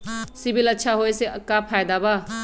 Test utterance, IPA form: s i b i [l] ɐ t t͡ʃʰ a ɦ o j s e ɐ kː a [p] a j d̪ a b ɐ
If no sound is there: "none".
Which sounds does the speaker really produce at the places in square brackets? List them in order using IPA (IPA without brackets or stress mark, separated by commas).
l, pʰ